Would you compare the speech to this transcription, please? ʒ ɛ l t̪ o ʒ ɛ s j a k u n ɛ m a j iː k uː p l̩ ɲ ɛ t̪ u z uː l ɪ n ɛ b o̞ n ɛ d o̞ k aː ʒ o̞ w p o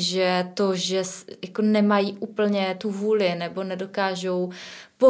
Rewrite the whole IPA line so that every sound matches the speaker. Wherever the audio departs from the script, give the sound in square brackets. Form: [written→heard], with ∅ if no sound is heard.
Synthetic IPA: ʒ ɛ [l→∅] t̪ o ʒ ɛ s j a k [u→o] n ɛ m a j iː [k→ʔ] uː p l̩ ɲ ɛ t̪ u [z→v] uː l ɪ n ɛ b o̞ n ɛ d o̞ k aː ʒ o̞ w p o